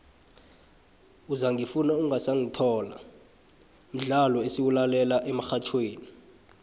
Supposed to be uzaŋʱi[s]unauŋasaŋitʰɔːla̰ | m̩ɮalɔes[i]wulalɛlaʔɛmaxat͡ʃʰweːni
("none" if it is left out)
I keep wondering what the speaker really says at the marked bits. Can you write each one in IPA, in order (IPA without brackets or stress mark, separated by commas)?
f, i